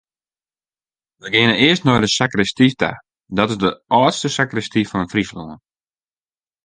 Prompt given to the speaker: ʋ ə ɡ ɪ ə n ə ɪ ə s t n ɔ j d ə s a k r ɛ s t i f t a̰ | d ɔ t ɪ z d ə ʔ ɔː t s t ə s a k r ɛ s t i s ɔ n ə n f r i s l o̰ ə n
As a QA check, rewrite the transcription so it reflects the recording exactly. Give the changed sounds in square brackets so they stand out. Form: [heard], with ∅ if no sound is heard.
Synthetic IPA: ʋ ə ɡ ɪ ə n ə ɪ ə s t n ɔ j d ə s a k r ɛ s t i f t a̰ | d ɔ t ɪ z d ə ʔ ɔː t s t ə s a k r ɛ s t i [f] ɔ n ə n f r i s l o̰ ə n